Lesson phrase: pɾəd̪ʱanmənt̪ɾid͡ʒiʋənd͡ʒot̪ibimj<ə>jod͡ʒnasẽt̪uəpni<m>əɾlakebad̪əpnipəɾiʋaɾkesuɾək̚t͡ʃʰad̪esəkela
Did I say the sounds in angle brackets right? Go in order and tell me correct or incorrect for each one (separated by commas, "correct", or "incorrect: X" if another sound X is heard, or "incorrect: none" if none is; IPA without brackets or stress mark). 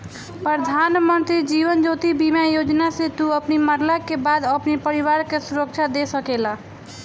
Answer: incorrect: a, correct